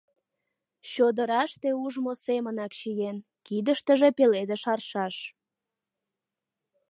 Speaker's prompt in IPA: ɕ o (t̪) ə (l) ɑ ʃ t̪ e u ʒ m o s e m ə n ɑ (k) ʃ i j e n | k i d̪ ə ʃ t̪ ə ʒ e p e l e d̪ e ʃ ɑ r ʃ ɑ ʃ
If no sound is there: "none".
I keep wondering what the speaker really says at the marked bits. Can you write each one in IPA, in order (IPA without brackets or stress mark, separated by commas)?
d̪, ɾ, k